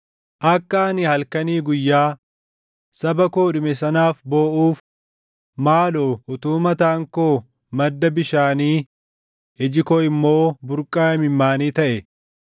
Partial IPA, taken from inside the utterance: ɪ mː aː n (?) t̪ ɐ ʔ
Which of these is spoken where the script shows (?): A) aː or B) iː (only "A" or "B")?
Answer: B